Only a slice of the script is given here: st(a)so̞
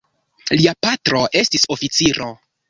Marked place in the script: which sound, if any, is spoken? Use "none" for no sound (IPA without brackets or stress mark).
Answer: i